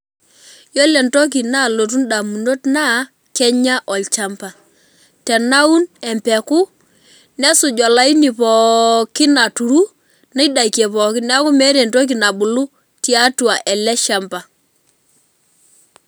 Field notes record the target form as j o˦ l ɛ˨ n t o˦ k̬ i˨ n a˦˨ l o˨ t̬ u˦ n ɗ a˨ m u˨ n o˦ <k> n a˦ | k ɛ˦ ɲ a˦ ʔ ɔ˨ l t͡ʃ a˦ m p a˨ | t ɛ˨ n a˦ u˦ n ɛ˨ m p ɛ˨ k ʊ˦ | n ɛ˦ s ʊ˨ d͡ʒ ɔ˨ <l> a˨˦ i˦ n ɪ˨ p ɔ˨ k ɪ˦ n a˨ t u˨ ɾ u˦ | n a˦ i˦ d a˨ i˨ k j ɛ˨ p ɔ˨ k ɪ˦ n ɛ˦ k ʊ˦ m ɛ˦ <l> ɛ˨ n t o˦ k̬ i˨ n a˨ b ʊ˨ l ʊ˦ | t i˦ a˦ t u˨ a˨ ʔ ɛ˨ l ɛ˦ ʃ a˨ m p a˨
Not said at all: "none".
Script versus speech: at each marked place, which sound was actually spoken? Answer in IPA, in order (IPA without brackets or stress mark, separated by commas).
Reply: t, l, ɾ